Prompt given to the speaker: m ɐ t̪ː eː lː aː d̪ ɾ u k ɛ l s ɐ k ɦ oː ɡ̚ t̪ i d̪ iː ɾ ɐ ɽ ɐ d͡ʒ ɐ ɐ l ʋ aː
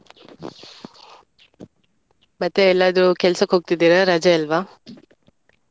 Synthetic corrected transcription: m ɐ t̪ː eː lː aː d̪ ɾ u k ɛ l s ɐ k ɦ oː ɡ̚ t̪ i d̪ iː ɾ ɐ ɾ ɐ d͡ʒ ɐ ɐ l ʋ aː